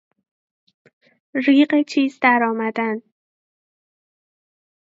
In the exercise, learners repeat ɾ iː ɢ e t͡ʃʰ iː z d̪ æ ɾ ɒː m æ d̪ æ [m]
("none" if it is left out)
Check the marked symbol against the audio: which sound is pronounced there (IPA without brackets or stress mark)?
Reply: n